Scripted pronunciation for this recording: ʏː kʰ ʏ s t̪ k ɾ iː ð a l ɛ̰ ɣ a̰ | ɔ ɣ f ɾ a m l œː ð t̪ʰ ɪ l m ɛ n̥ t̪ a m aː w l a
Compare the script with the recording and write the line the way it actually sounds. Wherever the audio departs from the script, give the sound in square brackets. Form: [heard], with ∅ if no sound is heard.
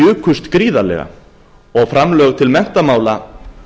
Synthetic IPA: ʏː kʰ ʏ s t̪ k ɾ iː ð a l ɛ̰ ɣ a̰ | ɔ ɣ f ɾ a m l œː [ɣ] t̪ʰ ɪ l m ɛ n̥ t̪ a m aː w l a

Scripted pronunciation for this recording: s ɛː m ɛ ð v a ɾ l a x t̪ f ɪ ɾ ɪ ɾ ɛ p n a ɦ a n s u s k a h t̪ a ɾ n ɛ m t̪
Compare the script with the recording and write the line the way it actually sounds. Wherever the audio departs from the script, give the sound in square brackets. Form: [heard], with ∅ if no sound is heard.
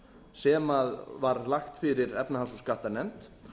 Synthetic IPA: s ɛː m [a] ð v a ɾ l a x t̪ f ɪ ɾ ɪ ɾ ɛ p n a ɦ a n s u s k a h t̪ a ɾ n ɛ m t̪

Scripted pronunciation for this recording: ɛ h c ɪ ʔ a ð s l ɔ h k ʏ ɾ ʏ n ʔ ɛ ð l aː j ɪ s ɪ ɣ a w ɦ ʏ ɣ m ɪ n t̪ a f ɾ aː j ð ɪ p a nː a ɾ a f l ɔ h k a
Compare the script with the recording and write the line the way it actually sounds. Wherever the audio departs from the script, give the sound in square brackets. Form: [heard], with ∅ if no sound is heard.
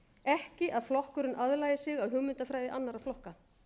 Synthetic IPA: ɛ h c ɪ ʔ a ð [f] l ɔ h k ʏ ɾ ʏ n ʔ [a] ð l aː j ɪ s ɪ ɣ a w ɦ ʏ ɣ m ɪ n t̪ a f ɾ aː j ð ɪ [ʔ] a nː a ɾ a f l ɔ h k a

